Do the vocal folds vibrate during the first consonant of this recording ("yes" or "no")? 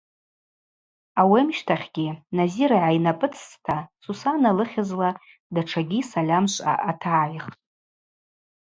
yes